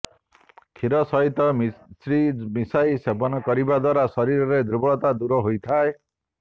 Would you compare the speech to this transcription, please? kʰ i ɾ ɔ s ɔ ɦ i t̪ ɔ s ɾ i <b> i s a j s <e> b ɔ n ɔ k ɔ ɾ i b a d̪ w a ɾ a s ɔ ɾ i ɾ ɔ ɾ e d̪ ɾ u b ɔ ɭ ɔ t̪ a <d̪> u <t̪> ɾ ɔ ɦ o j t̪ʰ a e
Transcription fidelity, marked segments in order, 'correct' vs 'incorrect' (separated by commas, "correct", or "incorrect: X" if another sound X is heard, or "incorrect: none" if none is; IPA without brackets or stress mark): incorrect: m, correct, correct, incorrect: none